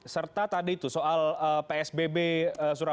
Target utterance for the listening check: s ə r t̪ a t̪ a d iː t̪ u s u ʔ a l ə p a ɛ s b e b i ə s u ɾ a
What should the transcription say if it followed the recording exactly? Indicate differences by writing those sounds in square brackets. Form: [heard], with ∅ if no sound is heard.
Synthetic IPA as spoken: s ə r t̪ a t̪ a d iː t̪ u s [o] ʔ a l ə p [e] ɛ s b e b [e] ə s u ɾ a